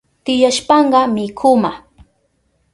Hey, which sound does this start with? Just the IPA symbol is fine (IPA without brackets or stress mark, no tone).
t̪